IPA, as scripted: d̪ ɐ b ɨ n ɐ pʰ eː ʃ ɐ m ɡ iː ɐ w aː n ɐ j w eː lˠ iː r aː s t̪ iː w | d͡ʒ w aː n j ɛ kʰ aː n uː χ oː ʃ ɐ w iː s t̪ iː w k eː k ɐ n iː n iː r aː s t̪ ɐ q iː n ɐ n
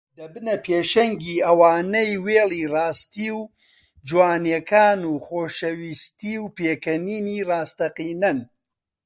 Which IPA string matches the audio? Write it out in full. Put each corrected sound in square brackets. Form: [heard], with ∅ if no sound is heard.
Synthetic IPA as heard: d̪ ɐ b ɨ n ɐ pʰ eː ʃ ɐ [ŋ] ɡ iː ɐ w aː n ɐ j w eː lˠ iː r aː s t̪ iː w | d͡ʒ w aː n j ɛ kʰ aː n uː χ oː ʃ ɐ w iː s t̪ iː w [p] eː k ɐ n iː n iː r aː s t̪ ɐ q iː n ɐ n